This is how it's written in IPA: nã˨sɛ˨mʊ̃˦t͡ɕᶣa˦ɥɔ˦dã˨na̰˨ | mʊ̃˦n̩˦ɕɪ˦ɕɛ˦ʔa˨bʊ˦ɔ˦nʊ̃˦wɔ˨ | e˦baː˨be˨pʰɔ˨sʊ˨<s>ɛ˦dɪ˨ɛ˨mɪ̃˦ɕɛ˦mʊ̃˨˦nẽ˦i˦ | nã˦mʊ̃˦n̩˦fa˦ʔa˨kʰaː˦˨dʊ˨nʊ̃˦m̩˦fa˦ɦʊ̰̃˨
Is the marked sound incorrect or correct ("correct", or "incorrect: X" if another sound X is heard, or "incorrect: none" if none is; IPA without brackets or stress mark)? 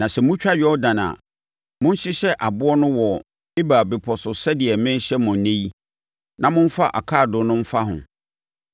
correct